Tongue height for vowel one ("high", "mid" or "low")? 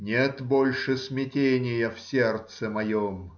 mid